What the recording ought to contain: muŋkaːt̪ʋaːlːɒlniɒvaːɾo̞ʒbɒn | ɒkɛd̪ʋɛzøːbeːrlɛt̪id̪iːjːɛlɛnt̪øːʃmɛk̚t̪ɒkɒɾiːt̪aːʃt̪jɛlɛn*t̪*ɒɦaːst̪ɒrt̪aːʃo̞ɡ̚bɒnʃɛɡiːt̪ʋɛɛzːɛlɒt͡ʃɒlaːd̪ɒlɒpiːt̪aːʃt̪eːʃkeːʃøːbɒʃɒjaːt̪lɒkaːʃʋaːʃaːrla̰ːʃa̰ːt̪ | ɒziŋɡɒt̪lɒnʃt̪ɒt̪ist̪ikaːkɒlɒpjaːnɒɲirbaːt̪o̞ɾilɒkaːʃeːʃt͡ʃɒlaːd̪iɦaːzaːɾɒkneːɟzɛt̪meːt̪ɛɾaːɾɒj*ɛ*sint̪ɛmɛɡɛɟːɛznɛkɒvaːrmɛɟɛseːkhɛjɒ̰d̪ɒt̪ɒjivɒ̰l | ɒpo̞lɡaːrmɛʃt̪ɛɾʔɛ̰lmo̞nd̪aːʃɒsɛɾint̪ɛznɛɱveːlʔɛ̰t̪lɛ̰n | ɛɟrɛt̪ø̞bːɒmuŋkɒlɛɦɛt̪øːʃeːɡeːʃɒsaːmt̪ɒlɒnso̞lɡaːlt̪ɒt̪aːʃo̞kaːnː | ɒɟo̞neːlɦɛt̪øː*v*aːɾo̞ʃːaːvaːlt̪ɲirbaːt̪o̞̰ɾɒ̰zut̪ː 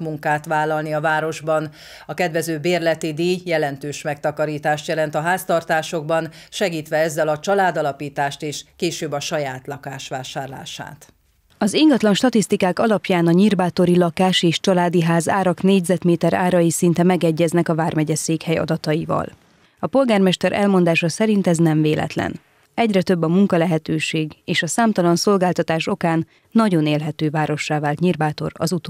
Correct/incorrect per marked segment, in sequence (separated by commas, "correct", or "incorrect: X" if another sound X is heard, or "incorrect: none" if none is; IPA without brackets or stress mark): correct, incorrect: i, correct